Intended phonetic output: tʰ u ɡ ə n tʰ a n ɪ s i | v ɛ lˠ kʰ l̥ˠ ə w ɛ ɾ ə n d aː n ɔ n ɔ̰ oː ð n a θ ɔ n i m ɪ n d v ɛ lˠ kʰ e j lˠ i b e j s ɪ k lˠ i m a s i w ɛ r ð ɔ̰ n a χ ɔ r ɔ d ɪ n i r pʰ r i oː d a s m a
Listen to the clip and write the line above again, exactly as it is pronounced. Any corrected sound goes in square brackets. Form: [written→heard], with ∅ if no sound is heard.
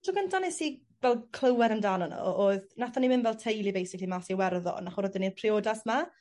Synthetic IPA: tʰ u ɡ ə n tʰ a n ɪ s i | v ɛ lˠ kʰ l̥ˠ ə w ɛ ɾ ə n d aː n ɔ n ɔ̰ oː ð n a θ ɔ n i m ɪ n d v ɛ lˠ [kʰ→tʰ] e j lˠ i b e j s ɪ k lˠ i m a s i w ɛ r ð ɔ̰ n a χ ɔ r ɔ d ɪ n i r pʰ r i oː d a s m a